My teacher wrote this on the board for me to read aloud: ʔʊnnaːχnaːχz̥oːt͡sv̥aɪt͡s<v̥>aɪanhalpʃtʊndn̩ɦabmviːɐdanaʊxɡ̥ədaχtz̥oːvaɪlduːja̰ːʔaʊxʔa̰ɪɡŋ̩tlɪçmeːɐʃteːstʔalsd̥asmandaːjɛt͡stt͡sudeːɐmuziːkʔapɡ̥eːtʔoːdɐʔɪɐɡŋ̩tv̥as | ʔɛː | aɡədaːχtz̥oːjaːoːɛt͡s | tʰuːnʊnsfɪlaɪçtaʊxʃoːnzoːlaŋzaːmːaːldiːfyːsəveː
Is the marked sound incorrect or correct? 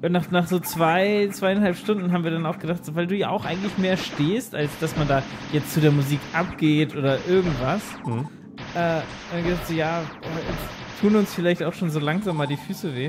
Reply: correct